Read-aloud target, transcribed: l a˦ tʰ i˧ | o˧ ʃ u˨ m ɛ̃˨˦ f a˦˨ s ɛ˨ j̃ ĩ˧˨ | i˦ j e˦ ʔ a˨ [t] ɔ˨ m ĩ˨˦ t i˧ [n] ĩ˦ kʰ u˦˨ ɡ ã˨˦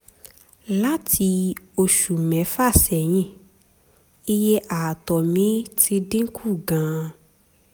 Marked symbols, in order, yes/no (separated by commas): yes, no